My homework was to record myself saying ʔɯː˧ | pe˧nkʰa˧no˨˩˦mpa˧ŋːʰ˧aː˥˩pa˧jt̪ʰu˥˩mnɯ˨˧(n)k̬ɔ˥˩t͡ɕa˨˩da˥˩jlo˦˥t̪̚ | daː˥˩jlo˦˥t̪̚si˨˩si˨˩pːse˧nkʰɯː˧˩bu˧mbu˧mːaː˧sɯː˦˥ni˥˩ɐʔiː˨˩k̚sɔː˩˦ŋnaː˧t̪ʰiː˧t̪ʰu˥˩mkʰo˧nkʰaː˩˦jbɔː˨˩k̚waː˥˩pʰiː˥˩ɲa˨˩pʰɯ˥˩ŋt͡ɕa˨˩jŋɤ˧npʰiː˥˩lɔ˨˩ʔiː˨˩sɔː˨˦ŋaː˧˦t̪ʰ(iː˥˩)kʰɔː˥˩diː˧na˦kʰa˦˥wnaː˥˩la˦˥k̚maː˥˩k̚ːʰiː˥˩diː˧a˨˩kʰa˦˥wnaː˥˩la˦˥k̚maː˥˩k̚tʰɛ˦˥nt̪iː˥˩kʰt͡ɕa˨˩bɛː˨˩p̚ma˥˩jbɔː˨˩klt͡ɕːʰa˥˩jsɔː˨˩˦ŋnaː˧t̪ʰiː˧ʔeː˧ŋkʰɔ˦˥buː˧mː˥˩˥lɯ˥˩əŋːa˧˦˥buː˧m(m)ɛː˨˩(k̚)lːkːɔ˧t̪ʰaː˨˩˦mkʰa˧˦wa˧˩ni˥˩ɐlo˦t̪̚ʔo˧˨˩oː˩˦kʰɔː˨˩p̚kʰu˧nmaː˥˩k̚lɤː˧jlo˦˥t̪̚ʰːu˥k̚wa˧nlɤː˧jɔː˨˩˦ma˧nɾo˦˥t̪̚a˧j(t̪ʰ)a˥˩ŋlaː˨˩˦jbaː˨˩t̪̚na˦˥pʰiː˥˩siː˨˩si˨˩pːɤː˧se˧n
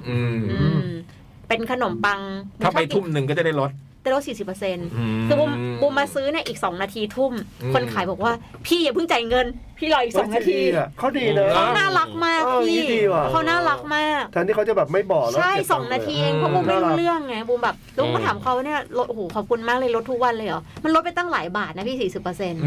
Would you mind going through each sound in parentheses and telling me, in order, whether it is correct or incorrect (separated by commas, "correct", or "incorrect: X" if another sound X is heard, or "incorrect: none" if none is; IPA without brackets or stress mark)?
incorrect: ŋ, incorrect: iː˧˩, incorrect: b, incorrect: p̚, incorrect: t̪